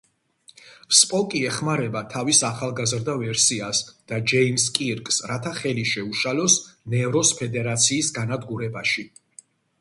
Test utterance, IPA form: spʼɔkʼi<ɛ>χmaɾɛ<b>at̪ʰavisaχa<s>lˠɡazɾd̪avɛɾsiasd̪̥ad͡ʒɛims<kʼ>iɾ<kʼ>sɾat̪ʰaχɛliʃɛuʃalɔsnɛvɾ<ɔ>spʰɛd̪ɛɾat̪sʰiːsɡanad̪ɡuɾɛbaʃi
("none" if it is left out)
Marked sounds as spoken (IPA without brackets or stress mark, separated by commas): ɛ, b, none, kʼ, kʼ, ɔ